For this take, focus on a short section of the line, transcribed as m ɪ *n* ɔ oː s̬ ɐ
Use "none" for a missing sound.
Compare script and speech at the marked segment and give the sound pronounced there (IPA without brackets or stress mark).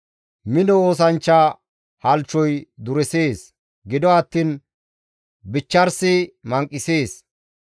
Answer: n